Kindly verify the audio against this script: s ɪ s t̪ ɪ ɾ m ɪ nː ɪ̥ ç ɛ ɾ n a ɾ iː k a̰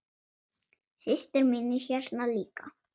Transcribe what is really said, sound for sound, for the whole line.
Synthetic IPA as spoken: s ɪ s t̪ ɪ ɾ m ɪ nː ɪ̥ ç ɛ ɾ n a l iː k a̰